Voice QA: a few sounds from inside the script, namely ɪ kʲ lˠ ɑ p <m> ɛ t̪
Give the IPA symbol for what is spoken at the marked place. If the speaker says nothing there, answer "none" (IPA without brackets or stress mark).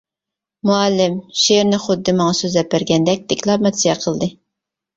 m